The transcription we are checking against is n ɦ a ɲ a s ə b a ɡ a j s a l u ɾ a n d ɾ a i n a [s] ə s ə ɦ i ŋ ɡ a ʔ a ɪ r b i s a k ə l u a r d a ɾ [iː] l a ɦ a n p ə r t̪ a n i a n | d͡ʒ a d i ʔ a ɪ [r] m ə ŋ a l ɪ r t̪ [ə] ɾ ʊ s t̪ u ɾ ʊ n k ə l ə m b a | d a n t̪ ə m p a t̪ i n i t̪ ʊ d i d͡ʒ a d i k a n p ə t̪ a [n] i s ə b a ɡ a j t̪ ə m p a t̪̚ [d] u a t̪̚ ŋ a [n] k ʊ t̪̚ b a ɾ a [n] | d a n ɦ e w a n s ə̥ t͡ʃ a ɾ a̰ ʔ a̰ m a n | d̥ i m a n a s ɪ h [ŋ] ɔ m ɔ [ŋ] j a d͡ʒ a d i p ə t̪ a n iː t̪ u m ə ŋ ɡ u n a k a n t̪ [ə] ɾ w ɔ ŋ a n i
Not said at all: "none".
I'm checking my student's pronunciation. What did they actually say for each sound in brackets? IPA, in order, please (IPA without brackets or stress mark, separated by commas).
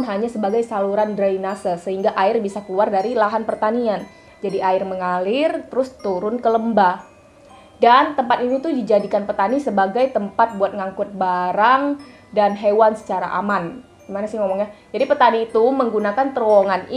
s, i, r, ə, n, b, ŋ, ŋ, ŋ, ŋ, ə